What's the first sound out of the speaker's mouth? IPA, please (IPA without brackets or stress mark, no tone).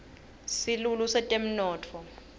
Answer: s